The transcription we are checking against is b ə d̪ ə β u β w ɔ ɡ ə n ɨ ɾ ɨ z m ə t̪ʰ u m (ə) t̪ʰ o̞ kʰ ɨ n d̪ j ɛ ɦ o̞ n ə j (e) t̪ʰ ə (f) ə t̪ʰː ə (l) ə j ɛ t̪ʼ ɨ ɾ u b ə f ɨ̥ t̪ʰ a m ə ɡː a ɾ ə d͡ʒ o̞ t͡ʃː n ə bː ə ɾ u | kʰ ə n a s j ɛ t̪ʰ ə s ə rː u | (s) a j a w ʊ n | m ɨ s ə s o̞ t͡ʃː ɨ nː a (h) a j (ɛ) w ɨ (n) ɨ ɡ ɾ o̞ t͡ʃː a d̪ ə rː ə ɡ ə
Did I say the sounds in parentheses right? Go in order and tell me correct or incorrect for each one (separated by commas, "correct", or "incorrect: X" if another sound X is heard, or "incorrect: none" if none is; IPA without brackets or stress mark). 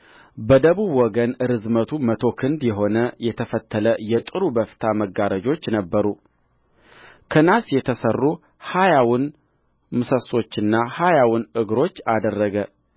correct, incorrect: ɛ, correct, correct, incorrect: h, correct, incorrect: a, correct